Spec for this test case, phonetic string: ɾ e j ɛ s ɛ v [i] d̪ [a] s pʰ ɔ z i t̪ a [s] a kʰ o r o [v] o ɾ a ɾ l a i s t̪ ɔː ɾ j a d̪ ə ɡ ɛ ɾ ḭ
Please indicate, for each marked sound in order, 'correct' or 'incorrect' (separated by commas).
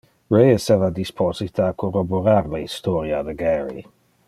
incorrect, incorrect, incorrect, incorrect